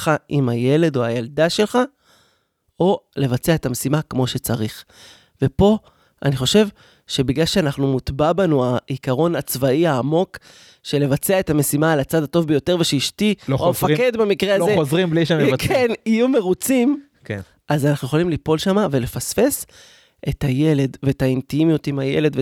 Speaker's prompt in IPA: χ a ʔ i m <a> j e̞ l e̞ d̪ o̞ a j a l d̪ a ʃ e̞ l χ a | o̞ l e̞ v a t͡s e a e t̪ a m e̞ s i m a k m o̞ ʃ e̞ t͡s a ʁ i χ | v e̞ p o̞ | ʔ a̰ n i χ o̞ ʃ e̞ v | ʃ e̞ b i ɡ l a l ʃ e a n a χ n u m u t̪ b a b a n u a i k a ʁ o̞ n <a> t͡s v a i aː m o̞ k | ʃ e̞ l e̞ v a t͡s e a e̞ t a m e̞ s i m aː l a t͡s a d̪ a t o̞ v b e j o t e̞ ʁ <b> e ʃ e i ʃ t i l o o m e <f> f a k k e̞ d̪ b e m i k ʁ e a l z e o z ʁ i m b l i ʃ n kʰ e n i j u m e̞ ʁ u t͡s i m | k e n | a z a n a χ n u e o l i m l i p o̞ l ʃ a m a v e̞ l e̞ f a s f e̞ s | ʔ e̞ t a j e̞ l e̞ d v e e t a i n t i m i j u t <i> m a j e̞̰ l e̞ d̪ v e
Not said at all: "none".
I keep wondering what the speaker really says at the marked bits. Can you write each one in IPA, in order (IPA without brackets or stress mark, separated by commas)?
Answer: a, a, v, f, i